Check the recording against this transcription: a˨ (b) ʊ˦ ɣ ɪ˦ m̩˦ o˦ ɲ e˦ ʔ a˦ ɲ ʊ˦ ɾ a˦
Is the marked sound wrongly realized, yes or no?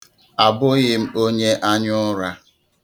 no